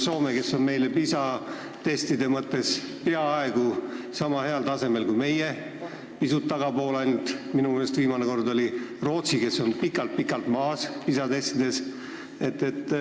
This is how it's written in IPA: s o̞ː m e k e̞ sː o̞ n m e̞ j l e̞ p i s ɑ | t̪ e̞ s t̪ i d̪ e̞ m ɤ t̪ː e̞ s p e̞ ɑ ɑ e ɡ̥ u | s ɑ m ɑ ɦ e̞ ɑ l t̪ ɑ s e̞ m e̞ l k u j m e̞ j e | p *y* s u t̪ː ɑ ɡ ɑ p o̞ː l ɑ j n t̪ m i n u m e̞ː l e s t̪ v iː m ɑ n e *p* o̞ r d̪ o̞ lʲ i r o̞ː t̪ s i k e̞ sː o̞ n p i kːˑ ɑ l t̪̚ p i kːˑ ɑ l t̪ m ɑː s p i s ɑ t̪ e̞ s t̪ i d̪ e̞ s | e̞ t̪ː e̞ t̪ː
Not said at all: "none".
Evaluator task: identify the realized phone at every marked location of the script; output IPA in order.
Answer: i, k

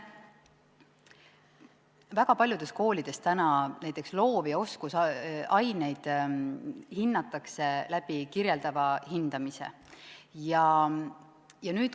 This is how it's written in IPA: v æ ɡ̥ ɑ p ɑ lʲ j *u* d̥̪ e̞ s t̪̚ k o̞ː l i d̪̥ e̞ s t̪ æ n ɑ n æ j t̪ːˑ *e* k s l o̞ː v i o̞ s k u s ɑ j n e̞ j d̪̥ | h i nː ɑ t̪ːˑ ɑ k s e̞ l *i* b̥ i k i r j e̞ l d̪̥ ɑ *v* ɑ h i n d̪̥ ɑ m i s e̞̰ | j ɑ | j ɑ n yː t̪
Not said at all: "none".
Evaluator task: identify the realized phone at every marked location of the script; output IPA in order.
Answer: u, e, æ, v

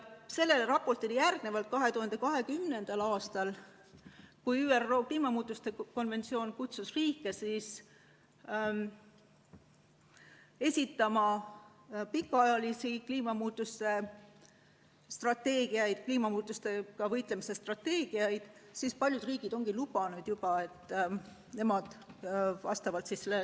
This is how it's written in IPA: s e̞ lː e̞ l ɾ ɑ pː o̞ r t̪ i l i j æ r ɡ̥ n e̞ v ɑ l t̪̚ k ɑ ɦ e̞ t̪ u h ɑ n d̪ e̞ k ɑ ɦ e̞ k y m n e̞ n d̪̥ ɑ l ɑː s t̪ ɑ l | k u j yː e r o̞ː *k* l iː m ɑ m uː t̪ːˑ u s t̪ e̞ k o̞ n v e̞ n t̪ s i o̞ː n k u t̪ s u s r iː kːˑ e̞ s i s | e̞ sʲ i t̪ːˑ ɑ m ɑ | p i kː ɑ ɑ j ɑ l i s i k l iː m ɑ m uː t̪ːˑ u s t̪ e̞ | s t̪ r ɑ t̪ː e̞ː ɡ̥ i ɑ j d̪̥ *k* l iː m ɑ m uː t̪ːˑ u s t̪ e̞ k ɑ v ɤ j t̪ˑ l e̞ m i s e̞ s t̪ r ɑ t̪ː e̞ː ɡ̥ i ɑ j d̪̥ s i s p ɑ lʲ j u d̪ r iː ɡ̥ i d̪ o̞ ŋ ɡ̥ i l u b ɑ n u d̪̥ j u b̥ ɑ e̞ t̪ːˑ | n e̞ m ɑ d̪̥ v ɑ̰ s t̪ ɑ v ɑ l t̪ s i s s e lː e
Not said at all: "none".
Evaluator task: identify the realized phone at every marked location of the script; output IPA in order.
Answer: k, k

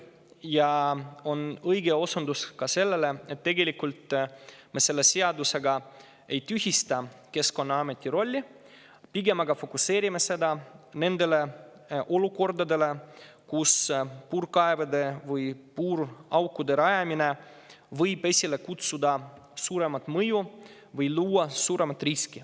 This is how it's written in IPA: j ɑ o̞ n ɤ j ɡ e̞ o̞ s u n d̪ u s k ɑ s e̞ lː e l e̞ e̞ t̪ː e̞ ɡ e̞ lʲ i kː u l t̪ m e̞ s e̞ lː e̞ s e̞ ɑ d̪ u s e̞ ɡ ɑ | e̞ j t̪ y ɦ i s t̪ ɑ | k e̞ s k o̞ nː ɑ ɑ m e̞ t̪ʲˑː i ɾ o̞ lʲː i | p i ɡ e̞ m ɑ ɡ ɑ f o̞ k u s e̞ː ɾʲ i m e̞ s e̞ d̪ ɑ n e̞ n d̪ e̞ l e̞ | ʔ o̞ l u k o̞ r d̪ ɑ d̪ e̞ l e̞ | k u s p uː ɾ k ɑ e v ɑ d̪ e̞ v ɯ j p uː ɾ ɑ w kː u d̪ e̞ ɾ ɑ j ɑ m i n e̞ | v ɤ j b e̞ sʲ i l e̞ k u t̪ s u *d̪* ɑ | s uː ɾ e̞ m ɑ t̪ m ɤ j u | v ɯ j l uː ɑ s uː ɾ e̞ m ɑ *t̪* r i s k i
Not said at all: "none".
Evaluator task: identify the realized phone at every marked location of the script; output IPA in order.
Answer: d̪, t̪

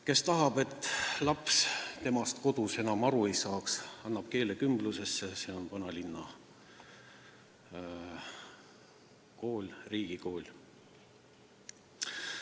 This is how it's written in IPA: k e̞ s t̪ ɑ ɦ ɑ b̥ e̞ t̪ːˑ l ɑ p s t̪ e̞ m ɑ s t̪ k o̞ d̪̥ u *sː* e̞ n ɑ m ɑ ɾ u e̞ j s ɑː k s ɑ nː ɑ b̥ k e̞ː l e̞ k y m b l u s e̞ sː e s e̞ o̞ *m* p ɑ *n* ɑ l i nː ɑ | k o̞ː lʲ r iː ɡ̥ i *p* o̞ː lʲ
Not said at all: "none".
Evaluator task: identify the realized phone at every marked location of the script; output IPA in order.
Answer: s, n, n, k

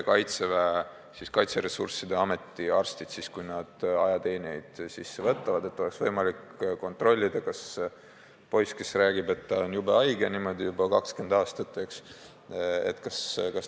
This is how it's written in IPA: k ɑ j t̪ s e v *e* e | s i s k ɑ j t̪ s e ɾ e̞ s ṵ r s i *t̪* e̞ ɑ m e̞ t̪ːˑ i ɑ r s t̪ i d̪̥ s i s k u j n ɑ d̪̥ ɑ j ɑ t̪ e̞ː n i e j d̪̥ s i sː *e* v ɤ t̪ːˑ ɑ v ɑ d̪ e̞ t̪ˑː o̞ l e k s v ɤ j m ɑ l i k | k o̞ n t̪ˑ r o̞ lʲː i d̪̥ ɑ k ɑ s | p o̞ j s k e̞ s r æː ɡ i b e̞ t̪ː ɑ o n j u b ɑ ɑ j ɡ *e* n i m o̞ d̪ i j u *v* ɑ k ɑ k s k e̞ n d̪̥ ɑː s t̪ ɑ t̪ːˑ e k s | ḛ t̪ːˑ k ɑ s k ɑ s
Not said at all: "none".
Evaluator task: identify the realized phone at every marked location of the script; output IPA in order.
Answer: æ, d̪, e, e, b

